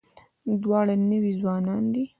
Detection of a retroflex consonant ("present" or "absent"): present